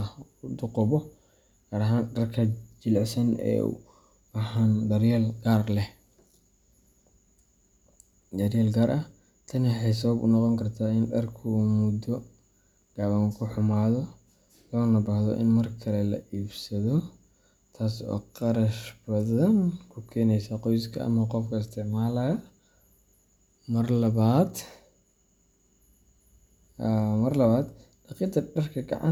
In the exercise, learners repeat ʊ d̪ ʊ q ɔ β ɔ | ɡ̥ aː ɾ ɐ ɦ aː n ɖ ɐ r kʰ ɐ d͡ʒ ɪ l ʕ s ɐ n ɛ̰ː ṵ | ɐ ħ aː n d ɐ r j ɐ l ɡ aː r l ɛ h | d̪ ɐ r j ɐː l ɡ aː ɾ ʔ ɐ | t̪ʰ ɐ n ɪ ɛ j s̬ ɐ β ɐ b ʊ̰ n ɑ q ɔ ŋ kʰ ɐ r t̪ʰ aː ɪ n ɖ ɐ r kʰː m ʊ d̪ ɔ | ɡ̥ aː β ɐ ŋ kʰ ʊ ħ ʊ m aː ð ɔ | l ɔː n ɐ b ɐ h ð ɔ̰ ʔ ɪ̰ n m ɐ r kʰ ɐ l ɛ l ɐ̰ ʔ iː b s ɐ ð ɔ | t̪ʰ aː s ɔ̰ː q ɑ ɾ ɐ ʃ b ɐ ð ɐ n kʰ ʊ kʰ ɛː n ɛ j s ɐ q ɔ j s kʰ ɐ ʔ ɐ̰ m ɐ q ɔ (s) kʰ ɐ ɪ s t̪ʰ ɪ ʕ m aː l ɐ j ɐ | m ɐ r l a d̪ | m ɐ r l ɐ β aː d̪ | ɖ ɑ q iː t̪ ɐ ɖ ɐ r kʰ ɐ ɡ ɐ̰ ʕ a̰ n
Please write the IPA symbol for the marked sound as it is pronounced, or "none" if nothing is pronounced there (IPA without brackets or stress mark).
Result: f